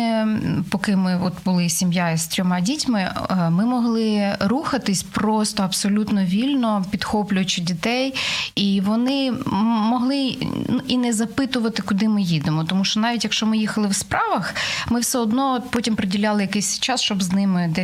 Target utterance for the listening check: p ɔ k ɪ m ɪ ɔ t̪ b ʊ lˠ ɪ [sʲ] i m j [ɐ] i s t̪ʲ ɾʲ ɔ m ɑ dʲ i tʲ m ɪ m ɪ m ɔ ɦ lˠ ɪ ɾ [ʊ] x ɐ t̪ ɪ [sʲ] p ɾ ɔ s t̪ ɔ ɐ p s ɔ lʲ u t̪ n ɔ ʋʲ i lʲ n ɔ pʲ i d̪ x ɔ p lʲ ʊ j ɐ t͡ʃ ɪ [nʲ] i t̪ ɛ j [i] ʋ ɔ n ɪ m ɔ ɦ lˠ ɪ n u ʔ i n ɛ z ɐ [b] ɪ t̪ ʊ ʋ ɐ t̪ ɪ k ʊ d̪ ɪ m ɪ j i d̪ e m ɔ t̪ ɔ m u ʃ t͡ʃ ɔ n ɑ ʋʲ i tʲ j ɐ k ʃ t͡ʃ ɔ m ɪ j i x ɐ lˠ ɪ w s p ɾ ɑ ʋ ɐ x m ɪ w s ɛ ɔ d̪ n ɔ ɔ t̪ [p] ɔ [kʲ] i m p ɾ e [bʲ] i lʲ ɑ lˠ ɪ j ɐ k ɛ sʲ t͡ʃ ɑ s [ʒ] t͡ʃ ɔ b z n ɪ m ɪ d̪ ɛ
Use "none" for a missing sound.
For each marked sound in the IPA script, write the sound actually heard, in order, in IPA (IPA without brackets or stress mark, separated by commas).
sʲ, a, u, sʲ, dʲ, i, p, p, tʲ, dʲ, ʃ